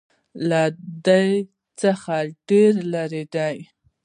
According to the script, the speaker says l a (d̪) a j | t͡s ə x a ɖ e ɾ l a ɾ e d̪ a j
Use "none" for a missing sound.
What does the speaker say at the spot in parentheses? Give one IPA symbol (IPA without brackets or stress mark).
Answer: d̪